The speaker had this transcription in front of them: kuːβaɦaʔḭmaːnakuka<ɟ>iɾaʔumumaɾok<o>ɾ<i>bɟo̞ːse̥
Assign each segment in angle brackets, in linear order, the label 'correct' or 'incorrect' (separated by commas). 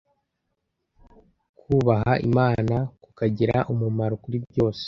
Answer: correct, incorrect, correct